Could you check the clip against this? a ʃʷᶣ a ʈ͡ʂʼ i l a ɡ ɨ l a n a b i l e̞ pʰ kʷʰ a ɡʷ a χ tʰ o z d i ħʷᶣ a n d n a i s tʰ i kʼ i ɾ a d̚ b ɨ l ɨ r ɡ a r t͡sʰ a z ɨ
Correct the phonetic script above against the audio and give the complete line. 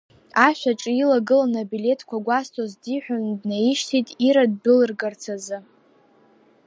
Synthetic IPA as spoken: a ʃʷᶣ a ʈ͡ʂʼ i l a ɡ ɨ l a n a b i l e̞ tʰ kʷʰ a ɡʷ a s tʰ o z d i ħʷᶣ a n d n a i ʃ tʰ i tʼ i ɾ a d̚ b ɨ l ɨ r ɡ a r t͡sʰ a z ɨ